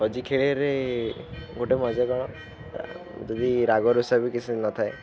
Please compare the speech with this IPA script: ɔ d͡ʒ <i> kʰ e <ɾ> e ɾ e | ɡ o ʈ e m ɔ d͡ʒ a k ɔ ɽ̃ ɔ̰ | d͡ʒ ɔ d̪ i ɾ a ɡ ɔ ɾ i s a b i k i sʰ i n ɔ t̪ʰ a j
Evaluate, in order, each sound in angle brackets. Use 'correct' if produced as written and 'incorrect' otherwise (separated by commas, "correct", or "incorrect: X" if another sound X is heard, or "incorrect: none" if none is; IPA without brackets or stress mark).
correct, incorrect: ɭ